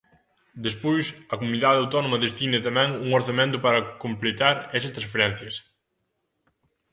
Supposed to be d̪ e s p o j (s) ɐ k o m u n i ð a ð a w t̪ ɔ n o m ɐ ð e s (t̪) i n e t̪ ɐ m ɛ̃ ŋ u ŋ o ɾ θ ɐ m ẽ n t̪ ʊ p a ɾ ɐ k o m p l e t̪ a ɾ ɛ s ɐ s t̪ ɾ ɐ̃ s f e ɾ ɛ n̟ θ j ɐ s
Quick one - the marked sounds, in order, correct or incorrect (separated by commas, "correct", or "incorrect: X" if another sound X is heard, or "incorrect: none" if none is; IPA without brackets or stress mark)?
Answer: correct, correct